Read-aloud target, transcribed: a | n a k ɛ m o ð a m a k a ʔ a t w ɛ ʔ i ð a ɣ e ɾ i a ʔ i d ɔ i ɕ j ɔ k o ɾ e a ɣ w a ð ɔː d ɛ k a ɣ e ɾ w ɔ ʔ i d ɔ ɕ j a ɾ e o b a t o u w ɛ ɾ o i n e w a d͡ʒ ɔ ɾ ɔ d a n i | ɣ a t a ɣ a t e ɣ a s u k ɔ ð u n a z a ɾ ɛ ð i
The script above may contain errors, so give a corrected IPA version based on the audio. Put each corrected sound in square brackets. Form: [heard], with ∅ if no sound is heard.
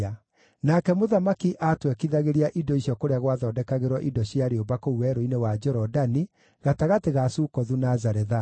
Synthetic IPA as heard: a | n a k ɛ m o ð a m a k [i] ʔ a t w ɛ [k] i ð a ɣ e ɾ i a ʔ i d ɔ i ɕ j ɔ k o ɾ e a ɣ w a ð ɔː d ɛ k a ɣ e ɾ w ɔ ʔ i d ɔ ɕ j a ɾ e o b a [k] o u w ɛ ɾ o i n e w a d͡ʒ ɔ ɾ ɔ d a n i | ɣ a t a ɣ a t e ɣ a s u k ɔ ð u n a z a ɾ ɛ ð [a]

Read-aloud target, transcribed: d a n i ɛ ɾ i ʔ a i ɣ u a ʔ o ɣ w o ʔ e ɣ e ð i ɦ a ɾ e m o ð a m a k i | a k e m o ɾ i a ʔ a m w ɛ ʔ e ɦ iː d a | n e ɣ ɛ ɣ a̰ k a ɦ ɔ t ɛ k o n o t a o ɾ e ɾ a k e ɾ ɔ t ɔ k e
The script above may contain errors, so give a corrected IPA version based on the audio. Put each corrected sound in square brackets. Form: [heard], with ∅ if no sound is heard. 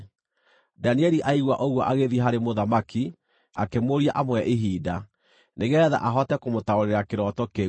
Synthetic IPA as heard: d a n i ɛ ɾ i ʔ a i ɣ [w] a ʔ o ɣ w [ɔ] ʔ [a] ɣ e ð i ɦ a ɾ e m o ð a m a k i | a k e m o ɾ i a ʔ a m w ɛ ʔ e ɦ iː d a | n e ɣ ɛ [ð] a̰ [ʔ] a ɦ ɔ t ɛ k o [m] o t a o ɾ e ɾ a k e ɾ ɔ t ɔ k e

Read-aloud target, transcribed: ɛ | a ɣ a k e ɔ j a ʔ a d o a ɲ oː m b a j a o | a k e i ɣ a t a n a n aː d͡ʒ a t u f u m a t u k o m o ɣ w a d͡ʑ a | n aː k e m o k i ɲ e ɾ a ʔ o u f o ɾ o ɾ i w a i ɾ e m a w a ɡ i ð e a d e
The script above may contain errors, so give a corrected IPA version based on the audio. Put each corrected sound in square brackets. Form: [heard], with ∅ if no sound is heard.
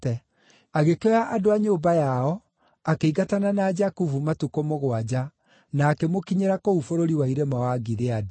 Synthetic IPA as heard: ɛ | a ɣ [e] k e ɔ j a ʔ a d o a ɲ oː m b a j a [ɔ] | a k e i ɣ a t a n a n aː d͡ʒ a [k] u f u m a t u k o m o ɣ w a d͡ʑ a | n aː k e m o k i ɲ e ɾ a [k] o u f o ɾ o ɾ i w a i ɾ e m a w a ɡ i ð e a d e

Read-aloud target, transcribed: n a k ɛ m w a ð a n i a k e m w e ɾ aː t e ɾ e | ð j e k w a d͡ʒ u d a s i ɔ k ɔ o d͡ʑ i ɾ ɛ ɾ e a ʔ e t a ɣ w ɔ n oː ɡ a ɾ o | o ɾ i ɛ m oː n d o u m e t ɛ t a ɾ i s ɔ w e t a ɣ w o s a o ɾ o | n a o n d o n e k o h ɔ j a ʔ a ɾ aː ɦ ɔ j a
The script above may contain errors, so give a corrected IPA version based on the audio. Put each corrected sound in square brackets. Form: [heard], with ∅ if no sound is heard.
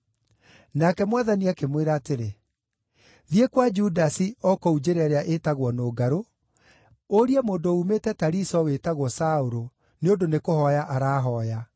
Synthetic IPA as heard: n a k ɛ m w a ð a n i a k e m w e ɾ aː t e ɾ e | ð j e k w a d͡ʒ u d a s i ɔ k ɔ [u] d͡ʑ [e] ɾ ɛ ɾ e a ʔ e t a ɣ w ɔ n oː ɡ a ɾ o | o ɾ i ɛ m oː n d o u m e t ɛ t a ɾ i s ɔ w e t a ɣ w [ɔ] s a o ɾ o | n [e] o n d o n e k o h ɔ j a ʔ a ɾ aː ɦ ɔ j a

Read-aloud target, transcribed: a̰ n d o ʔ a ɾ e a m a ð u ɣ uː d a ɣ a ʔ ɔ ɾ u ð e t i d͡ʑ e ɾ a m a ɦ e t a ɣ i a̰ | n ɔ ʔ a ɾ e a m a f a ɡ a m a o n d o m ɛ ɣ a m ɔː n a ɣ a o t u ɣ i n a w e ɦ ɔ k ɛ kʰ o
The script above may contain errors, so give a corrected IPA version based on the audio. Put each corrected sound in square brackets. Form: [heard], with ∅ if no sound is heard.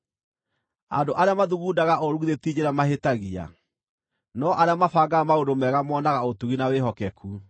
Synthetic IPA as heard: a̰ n d o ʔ a ɾ e a m a ð u ɣ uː d a ɣ a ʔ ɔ ɾ u ð e t i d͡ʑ e ɾ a m a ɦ e t a ɣ i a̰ | n ɔ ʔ a ɾ e a m a f a ɡ a m a o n d o m ɛ ɣ a m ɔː n a ɣ a o t u ɣ i n a w e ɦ ɔ k ɛ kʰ [u]

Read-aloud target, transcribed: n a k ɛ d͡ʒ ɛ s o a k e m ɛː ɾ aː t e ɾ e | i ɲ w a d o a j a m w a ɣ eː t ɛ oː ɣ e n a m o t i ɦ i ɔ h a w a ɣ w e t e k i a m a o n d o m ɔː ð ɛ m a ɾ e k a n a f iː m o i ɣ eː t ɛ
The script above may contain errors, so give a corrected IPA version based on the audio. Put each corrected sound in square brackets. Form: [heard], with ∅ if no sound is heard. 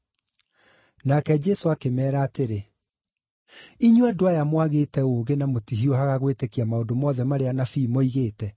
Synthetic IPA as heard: n a k ɛ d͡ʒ ɛ s o a k e m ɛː ɾ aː t e ɾ e | i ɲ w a d o a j a m w a ɣ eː t ɛ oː ɣ e n a m o t i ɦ i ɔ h a [ɣ] a ɣ w e t e k i a m a o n d o m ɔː ð ɛ m a ɾ e [∅] a n a f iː m o i ɣ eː t ɛ

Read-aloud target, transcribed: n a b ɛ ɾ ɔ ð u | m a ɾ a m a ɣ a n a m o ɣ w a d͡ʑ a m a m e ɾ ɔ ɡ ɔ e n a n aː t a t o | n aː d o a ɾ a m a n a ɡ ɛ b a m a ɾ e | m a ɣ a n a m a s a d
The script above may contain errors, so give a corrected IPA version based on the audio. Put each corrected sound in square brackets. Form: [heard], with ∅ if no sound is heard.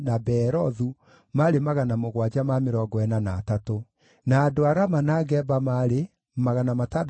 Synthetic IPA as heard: n a b ɛ ɾ ɔ ð u | m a ɾ [e] m a ɣ a n a m o ɣ w a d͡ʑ a m a m e ɾ ɔ ɡ ɔ [ɛ] n a n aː t a t o | n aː d o a ɾ a m a n a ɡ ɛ b a m a ɾ e | m a ɣ a n a m a [t] a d

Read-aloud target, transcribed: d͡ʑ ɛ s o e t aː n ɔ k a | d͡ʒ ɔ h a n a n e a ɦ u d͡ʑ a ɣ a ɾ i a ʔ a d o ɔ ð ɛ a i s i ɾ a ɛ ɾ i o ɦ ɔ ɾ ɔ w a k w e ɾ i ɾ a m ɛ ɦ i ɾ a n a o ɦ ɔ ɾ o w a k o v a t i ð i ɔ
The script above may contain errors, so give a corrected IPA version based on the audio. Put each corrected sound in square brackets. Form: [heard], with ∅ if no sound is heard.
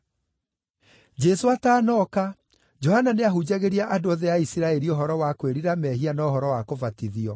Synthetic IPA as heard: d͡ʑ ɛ s o [a] t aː n ɔ k a | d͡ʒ ɔ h a n a n e a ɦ u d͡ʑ a ɣ [e] ɾ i a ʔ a d o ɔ ð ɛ a i s i ɾ a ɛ ɾ i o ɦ ɔ ɾ ɔ w a k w e ɾ i ɾ a m ɛ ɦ i [∅] a n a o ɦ ɔ ɾ [ɔ] w a k o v a t i ð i ɔ

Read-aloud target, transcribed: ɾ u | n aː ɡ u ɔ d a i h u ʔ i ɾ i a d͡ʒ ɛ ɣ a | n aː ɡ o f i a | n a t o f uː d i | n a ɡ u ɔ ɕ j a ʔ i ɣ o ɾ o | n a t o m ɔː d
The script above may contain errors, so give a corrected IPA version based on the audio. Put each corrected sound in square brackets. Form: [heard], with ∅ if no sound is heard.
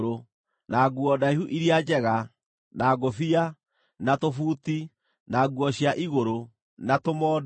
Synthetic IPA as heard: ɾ [o] | n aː ɡ u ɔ d a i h u ʔ i ɾ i a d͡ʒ ɛ ɣ a | n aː ɡ o f i a | n a t o f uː [t] i | n a ɡ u ɔ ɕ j a ʔ i ɣ o ɾ o | n a t o m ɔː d

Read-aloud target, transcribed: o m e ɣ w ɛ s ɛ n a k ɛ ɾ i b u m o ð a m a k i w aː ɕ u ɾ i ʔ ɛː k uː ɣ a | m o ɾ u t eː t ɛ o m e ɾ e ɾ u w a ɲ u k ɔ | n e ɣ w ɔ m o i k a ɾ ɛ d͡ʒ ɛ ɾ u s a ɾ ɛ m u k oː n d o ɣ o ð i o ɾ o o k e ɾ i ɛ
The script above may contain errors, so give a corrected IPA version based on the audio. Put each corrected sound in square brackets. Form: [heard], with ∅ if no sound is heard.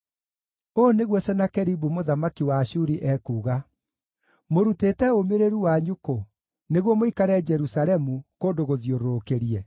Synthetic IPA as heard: o [n] e ɣ w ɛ s ɛ n a k ɛ ɾ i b u m o ð a m a k i w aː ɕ u ɾ i ʔ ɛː k uː ɣ a | m o ɾ u t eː t ɛ o m e ɾ e ɾ u w a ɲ u k [o] | n e ɣ w ɔ m o i k a ɾ ɛ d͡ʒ ɛ ɾ u s a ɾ ɛ m u k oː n d o ɣ o ð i o ɾ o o k e ɾ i ɛ

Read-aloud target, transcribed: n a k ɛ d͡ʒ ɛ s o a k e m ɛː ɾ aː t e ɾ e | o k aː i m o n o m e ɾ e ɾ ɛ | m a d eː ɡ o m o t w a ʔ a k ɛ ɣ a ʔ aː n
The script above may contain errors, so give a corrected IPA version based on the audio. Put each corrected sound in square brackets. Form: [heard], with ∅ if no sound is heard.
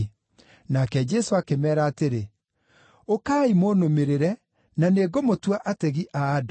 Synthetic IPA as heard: n a k ɛ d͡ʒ ɛ s o a k e m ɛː ɾ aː t e ɾ e | o k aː i m o n o m e ɾ e ɾ ɛ | [n] a [n] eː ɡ o m o t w a ʔ a [t] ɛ ɣ [i] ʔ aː [d]

